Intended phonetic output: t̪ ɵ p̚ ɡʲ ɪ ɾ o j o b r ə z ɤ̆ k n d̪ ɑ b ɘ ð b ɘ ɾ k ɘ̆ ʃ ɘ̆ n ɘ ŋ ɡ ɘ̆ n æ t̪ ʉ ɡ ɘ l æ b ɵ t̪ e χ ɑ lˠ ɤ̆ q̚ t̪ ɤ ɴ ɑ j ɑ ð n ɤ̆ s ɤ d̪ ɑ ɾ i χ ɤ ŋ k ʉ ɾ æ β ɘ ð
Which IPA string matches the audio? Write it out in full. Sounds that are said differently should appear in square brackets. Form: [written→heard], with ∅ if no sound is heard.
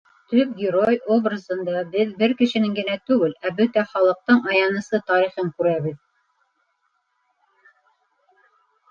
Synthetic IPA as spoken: t̪ ɵ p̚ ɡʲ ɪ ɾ o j o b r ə z ɤ̆ [k→∅] n d̪ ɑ b ɘ ð b ɘ ɾ k ɘ̆ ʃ ɘ̆ n ɘ ŋ ɡ ɘ̆ n æ t̪ ʉ ɡ ɘ l æ b ɵ t̪ [e→æ] χ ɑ lˠ ɤ̆ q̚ t̪ ɤ ɴ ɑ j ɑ [ð→∅] n ɤ̆ s ɤ [d̪→t̪] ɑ ɾ i χ ɤ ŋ k ʉ ɾ æ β ɘ ð